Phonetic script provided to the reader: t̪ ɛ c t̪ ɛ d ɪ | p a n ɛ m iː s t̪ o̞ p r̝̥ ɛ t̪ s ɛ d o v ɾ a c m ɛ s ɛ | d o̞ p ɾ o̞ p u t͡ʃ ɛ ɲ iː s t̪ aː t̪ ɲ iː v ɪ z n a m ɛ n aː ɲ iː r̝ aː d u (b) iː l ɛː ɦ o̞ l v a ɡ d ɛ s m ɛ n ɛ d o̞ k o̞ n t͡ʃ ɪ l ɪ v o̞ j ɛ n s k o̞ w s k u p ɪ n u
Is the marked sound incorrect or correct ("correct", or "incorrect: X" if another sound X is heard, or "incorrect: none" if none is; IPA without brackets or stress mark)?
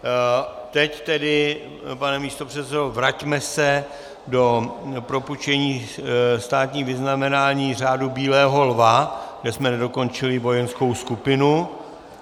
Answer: correct